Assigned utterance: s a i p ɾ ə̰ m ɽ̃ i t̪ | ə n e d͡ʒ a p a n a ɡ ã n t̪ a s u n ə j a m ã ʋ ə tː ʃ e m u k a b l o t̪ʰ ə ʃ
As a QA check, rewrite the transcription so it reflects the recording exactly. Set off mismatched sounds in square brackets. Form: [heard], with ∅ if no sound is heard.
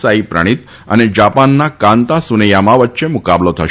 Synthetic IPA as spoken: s a i p ɾ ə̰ [∅] ɽ̃ i t̪ | ə n e d͡ʒ a p a [nː] a [k] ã n t̪ a s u n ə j a m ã ʋ ə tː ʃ e m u k a b l o t̪ʰ ə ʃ